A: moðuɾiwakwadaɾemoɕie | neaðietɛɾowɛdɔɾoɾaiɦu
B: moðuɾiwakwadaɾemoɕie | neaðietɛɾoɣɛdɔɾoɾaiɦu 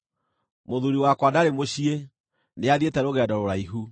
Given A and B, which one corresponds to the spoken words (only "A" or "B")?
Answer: B